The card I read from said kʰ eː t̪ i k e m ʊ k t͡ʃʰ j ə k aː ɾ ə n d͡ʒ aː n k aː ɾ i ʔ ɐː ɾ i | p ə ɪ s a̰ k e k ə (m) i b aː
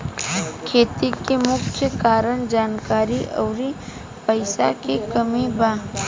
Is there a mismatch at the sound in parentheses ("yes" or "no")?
no